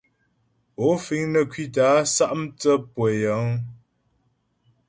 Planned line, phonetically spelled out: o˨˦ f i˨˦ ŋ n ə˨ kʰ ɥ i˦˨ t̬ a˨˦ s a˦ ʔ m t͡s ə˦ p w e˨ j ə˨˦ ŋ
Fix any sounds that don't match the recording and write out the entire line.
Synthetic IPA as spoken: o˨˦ f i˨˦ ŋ n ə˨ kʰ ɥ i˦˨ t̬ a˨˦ s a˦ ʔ m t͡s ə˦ p w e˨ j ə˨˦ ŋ